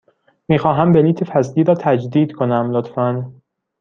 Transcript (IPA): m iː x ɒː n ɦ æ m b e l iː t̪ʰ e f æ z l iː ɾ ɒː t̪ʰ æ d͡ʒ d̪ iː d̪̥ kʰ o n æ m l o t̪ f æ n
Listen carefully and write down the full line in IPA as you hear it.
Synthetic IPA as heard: m iː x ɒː ɦ æ m b e l iː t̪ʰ e f æ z l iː ɾ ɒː t̪ʰ æ d͡ʒ d̪ iː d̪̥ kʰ o n æ m l o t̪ f æ n